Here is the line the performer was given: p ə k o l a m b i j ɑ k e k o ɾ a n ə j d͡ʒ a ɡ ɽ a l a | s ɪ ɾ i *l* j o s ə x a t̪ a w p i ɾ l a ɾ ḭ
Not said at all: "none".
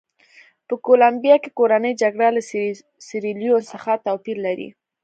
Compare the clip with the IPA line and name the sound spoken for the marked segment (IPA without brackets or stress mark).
l